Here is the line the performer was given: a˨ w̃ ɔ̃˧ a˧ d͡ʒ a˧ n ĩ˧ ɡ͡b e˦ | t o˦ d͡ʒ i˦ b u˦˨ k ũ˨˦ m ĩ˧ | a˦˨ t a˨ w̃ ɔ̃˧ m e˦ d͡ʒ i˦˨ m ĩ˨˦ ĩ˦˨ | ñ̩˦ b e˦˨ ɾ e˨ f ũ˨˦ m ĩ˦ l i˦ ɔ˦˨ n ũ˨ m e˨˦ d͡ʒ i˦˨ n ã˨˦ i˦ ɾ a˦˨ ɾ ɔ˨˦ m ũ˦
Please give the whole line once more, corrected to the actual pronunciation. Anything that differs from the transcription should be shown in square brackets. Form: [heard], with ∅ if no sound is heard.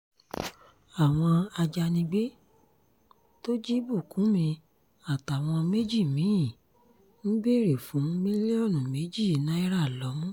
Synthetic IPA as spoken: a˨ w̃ ɔ̃˧ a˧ d͡ʒ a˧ n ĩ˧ ɡ͡b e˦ | t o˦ d͡ʒ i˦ b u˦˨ k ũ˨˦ m ĩ˧ | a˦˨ t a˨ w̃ ɔ̃˧ m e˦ d͡ʒ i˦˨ m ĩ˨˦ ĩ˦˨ | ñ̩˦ b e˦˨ ɾ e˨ f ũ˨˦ m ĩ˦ l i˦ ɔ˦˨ n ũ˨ m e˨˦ d͡ʒ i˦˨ n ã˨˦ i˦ ɾ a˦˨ [l] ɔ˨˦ m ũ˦

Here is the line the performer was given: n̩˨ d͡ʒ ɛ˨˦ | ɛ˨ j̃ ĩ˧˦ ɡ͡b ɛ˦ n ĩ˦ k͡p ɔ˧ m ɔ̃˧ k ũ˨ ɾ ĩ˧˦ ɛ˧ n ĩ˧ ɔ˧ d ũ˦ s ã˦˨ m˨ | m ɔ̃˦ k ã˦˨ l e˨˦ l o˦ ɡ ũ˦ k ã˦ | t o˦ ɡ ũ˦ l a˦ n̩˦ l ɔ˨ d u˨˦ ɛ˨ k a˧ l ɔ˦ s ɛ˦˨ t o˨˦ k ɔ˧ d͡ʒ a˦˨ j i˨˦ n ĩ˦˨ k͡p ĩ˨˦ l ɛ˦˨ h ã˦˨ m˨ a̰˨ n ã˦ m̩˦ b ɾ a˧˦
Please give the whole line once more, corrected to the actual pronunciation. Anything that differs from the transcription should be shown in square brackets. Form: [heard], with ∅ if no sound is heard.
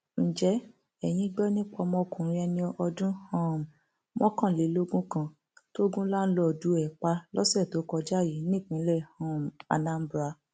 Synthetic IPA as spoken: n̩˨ d͡ʒ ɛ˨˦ | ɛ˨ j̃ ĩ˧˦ ɡ͡b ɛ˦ n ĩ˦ k͡p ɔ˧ m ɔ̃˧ k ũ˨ ɾ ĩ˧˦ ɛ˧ n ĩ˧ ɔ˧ d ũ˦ [h] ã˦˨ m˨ | m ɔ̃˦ k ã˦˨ l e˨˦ l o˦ ɡ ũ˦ k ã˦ | t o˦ ɡ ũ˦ l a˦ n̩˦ l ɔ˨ d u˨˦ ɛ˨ [k͡p] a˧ l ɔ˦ s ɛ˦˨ t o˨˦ k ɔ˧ d͡ʒ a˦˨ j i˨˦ n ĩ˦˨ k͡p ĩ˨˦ l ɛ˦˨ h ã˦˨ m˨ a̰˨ n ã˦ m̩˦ b ɾ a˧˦

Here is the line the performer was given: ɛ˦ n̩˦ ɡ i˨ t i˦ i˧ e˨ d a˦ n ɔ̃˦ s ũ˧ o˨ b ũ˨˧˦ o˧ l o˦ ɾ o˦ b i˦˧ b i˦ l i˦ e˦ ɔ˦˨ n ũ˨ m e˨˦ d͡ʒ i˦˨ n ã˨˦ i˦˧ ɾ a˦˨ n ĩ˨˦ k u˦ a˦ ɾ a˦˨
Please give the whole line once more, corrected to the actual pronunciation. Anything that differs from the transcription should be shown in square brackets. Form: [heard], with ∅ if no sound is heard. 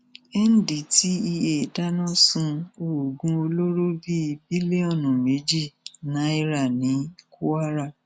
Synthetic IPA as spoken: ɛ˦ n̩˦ [d] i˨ t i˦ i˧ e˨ d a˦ n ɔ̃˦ s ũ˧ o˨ [ɡ] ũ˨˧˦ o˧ l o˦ ɾ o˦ b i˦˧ b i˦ l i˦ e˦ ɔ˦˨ n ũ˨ m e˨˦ d͡ʒ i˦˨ n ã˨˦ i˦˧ ɾ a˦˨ n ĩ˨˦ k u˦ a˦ ɾ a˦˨

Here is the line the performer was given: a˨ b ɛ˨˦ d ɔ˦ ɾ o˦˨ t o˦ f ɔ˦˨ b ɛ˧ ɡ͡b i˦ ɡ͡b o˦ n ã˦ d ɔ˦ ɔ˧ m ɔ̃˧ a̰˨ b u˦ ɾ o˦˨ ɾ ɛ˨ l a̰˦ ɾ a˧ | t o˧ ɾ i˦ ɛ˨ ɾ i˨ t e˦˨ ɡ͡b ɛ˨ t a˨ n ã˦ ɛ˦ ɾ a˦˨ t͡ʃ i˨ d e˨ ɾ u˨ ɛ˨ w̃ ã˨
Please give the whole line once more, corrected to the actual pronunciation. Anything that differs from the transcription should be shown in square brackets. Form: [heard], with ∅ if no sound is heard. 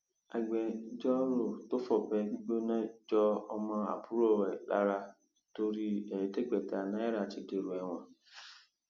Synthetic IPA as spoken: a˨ [ɡ͡b] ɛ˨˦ [d͡ʒ] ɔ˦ ɾ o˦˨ t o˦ f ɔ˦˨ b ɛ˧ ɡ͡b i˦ ɡ͡b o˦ n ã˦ [d͡ʒ] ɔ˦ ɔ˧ m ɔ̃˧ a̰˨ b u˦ ɾ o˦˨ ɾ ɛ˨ l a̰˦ ɾ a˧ | t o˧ ɾ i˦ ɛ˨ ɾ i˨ t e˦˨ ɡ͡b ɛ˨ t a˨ n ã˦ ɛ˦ ɾ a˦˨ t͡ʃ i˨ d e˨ ɾ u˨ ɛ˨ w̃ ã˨

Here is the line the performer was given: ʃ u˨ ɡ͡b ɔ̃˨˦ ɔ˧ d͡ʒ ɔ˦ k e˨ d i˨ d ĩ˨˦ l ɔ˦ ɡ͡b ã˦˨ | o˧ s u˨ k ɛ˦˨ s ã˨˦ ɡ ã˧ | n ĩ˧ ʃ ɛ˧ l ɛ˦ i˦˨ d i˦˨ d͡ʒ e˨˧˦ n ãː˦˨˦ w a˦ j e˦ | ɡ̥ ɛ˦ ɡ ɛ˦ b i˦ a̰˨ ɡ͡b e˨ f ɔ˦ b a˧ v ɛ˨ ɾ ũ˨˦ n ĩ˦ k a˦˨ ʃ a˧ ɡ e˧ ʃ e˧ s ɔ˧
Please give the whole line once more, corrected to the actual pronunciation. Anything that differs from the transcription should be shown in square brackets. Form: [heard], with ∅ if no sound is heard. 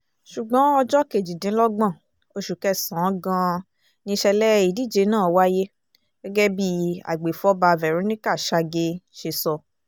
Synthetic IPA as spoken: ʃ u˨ ɡ͡b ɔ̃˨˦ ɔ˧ d͡ʒ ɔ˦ k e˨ [d͡ʒ] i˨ d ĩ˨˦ l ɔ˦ ɡ͡b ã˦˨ | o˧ [ʃ] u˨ k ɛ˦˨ s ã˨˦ ɡ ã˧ | n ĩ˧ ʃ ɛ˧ l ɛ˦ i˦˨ d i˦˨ d͡ʒ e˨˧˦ n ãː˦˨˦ w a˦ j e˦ | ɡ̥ ɛ˦ ɡ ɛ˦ b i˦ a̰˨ ɡ͡b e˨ f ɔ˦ b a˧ v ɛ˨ ɾ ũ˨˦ n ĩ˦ k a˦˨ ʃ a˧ ɡ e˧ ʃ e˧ s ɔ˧

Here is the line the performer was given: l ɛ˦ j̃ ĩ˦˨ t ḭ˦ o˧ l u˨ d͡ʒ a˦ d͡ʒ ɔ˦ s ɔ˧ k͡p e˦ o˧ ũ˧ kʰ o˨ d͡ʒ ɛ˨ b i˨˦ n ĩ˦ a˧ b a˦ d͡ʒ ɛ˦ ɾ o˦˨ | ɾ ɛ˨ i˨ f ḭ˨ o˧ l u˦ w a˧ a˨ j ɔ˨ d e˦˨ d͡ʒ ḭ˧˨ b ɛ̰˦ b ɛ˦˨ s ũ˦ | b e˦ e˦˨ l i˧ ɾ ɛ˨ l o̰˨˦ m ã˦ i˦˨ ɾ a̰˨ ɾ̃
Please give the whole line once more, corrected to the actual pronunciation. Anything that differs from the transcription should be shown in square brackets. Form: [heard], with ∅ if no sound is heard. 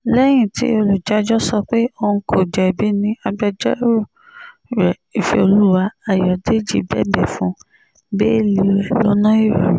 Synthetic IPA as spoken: l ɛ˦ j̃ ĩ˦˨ t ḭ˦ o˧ l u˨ d͡ʒ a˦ d͡ʒ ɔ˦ s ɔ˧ k͡p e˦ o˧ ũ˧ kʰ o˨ d͡ʒ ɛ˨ b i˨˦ n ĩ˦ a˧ b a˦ d͡ʒ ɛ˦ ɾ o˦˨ | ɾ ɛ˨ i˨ f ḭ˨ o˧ l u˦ w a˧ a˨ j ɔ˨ d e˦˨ d͡ʒ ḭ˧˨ b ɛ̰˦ b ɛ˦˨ [f] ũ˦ | b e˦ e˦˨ l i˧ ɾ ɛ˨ l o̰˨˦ [n] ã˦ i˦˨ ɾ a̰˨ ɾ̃

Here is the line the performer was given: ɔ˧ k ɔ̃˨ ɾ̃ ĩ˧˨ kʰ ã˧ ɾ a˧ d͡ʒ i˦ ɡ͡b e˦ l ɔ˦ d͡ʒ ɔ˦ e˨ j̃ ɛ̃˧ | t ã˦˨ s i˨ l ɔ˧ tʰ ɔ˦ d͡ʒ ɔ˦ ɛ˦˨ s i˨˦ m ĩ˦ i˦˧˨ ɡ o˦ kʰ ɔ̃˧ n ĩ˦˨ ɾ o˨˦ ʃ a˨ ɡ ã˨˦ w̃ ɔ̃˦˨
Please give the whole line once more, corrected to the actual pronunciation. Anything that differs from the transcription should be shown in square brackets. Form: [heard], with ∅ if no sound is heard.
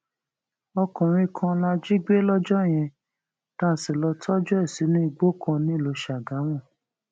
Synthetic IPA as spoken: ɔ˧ k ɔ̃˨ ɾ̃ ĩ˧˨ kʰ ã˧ [l] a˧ d͡ʒ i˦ ɡ͡b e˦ l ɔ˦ d͡ʒ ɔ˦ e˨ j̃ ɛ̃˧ | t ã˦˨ s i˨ l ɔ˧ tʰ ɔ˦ d͡ʒ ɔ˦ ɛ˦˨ s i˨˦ [n] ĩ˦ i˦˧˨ [ɡ͡b] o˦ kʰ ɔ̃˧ n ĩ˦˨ [l] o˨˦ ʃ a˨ ɡ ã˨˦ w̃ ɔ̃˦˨

